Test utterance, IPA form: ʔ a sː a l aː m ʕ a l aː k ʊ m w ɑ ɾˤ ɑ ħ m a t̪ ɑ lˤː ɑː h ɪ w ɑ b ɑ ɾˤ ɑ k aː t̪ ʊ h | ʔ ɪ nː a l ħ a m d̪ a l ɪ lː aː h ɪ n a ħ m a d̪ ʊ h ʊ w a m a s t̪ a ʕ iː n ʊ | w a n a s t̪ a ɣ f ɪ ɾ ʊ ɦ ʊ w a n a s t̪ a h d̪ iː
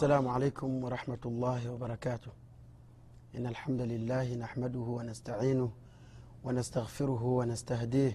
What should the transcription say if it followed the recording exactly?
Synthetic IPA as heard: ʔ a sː a l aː m ʕ a l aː k ʊ m w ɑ ɾˤ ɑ ħ m a t̪ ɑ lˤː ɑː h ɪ w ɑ b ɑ ɾˤ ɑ k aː t̪ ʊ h | ʔ ɪ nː a l ħ a m d̪ a l ɪ lː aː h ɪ n a ħ m a d̪ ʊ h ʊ w a n a s t̪ a ʕ iː n ʊ | w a n a s t̪ a ɣ f ɪ ɾ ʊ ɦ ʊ w a n a s t̪ a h d̪ iː